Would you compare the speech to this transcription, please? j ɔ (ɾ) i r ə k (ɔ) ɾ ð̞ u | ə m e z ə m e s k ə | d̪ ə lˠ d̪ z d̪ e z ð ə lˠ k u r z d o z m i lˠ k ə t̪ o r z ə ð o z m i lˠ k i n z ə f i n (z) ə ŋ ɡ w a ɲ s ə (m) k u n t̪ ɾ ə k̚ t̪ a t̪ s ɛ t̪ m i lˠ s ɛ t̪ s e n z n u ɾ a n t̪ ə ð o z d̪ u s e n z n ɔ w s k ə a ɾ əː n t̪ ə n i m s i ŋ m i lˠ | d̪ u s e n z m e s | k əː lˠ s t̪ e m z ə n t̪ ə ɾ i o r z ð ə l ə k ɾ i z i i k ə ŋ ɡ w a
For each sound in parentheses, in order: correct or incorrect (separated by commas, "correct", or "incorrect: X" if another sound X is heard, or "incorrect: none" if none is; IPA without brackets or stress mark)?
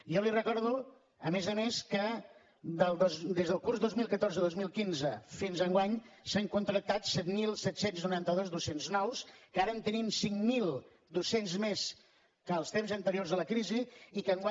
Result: incorrect: l, correct, correct, incorrect: ŋ